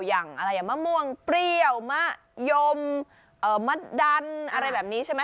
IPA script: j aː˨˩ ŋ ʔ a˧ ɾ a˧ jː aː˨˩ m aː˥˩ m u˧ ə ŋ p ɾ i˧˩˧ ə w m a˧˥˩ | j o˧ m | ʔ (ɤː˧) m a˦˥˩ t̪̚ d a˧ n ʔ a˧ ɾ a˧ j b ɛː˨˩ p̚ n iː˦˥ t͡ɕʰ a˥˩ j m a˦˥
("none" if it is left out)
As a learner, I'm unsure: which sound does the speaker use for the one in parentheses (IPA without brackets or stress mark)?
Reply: ɤː˨˩